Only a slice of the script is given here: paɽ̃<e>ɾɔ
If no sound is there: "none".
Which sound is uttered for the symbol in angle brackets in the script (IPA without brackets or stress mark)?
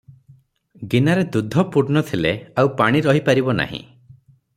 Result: i